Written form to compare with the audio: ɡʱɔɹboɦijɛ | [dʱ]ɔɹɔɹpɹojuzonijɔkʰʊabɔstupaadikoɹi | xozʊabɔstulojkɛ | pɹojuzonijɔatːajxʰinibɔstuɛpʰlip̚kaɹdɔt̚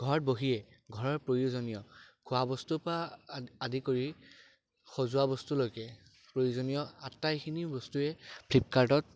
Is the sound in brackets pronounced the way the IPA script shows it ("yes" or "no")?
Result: no